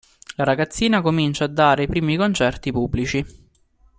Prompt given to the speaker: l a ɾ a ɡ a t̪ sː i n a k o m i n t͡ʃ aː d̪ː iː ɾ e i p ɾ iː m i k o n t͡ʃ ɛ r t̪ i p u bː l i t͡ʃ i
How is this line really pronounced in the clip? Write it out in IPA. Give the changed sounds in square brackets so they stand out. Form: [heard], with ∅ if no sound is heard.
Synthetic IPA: l a ɾ a ɡ a t̪ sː [iː] n a k o m i n t͡ʃ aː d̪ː [aː] ɾ e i p ɾ iː m i k o n t͡ʃ ɛ r t̪ i p u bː l i t͡ʃ i